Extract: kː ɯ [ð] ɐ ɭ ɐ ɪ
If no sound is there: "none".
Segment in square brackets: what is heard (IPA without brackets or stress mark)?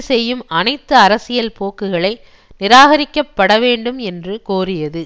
ɣ